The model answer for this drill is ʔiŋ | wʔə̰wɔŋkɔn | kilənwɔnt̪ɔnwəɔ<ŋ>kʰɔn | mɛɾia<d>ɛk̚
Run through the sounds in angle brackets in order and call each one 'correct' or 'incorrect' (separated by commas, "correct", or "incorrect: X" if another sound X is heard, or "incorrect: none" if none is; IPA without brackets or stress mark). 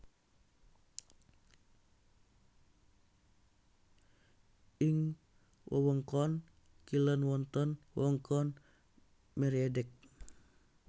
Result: correct, correct